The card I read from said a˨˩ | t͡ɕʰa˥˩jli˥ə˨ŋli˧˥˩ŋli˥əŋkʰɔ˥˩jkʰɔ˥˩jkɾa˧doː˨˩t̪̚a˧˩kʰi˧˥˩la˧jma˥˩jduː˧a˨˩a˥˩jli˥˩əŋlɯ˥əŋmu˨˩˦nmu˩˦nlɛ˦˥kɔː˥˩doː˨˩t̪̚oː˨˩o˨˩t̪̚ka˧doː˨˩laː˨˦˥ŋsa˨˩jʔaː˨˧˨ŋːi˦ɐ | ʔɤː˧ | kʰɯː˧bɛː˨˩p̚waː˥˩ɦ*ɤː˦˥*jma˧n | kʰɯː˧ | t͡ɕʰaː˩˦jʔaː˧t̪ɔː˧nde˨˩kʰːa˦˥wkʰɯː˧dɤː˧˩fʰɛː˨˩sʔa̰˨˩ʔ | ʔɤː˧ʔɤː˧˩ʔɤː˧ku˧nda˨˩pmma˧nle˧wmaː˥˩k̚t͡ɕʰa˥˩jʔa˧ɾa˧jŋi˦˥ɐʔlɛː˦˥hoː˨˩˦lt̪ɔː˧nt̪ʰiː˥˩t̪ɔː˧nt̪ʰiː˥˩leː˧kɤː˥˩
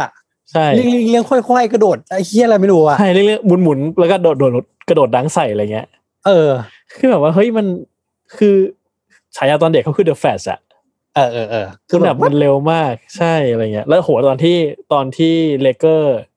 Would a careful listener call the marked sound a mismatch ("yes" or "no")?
yes